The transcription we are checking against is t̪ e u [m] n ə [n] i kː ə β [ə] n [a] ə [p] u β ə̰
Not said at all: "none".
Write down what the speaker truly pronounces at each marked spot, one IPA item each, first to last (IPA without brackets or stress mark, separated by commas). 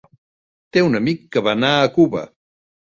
none, m, a, a, k